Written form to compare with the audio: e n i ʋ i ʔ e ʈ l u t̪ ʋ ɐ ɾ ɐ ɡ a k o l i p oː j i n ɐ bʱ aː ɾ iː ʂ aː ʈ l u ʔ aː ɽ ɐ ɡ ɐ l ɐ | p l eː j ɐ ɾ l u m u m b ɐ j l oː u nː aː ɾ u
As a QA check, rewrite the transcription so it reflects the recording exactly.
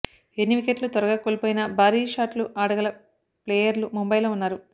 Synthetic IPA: e nː i ʋ i k e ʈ l u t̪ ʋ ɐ ɾ ɐ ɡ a k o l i p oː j i n ɐ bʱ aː ɾ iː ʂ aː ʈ l u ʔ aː ɽ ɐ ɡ ɐ l ɐ | p l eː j ɐ ɾ l u m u m b ɐ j l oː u nː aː ɾ u